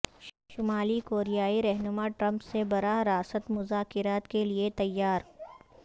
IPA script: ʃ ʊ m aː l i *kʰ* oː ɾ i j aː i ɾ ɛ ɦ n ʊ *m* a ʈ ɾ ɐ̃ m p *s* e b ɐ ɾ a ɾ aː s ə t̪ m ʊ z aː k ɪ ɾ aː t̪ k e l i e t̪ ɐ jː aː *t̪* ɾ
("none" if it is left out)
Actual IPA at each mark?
k, m, s, none

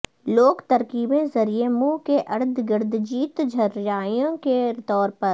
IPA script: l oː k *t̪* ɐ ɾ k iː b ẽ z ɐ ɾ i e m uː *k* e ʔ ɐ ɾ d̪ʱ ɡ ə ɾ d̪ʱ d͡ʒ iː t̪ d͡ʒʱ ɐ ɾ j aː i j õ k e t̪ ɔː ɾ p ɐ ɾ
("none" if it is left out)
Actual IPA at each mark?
t̪, k

